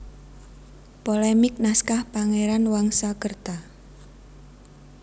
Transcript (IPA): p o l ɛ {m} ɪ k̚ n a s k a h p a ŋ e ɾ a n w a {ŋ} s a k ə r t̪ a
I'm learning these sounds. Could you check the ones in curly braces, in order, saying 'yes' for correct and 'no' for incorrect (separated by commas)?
yes, yes